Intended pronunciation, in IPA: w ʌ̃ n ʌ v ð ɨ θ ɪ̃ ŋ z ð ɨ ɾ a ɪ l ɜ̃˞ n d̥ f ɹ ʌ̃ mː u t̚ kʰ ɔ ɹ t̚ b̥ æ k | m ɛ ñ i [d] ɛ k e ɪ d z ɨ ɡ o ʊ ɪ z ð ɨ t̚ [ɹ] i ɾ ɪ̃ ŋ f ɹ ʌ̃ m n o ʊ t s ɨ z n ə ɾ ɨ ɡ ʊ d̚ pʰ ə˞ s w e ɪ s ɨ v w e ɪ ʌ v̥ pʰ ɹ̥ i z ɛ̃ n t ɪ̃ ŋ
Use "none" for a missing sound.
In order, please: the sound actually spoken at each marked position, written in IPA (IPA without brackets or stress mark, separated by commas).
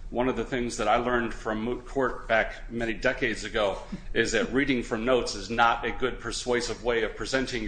d, ɹ